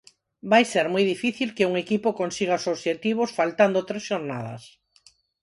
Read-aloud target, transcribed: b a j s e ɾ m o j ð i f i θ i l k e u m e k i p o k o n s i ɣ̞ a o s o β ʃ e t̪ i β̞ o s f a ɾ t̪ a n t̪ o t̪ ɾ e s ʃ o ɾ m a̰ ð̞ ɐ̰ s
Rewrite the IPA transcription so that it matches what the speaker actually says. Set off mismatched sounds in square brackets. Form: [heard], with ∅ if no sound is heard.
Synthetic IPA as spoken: b a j s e ɾ m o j ð i f i θ i l k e u [ŋ] e k i p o k o n s i ɣ̞ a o s o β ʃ e t̪ i β̞ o s f a [l] t̪ a n [d̪] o t̪ ɾ e s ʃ o ɾ [n] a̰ ð̞ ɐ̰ s